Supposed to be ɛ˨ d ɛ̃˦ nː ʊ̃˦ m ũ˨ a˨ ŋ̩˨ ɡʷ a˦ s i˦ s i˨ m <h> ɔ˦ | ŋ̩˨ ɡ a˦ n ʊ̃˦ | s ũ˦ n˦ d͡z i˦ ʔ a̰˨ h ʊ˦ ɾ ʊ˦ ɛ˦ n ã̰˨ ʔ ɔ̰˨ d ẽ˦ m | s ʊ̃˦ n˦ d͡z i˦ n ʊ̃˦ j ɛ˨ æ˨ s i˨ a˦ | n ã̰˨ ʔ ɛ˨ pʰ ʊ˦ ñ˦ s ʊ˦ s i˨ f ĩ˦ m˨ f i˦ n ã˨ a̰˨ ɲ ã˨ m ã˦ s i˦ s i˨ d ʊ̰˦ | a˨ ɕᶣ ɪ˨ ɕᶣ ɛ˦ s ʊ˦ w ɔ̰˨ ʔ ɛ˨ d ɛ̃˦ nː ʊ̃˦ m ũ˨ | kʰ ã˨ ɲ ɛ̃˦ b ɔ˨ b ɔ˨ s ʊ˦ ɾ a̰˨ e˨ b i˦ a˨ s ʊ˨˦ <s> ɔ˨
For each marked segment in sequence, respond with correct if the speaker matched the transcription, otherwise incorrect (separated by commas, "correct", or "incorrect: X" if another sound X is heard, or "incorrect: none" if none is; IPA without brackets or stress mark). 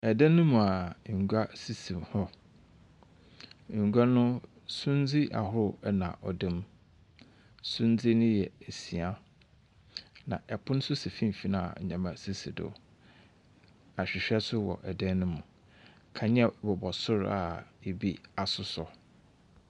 correct, correct